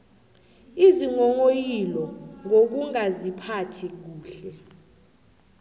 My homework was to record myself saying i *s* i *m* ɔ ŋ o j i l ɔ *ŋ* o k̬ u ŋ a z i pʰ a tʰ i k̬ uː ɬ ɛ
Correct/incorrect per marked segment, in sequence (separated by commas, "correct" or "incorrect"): incorrect, incorrect, correct